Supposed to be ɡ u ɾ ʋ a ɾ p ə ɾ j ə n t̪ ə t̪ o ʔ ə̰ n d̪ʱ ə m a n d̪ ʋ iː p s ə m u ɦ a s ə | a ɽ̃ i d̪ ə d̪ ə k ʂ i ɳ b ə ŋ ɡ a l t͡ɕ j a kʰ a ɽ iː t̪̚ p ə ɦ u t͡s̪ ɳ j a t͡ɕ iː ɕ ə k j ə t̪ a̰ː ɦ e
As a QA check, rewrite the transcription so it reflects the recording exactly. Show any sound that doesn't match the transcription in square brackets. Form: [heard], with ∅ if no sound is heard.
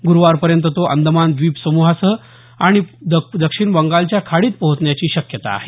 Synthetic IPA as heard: ɡ u ɾ ʋ a ɾ p ə ɾ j ə n t̪ ə t̪ o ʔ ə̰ n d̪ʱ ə m a n d̪ ʋ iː p s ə m u ɦ a s ə | a ɽ̃ i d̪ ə d̪ ə k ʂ i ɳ b ə ŋ ɡ a l t͡ɕ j a kʰ a ɽ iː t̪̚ p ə ɦ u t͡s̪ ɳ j a t͡ɕ iː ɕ ə k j ə t̪ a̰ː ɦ e